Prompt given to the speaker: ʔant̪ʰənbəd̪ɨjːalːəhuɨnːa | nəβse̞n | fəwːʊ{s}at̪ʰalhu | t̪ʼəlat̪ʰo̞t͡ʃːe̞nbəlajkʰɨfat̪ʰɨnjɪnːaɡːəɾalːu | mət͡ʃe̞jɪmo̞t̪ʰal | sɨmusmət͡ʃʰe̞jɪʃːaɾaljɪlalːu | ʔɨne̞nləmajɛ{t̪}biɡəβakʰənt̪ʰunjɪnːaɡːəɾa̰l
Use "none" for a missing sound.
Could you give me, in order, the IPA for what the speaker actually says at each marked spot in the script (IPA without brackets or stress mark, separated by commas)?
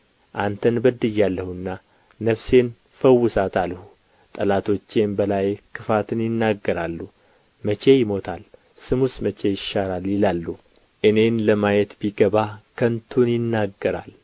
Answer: s, t̪